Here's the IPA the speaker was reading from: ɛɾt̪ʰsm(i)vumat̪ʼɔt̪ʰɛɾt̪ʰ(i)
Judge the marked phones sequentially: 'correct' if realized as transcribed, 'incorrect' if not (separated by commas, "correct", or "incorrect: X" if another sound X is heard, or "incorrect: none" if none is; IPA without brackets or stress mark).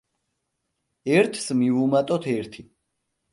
correct, correct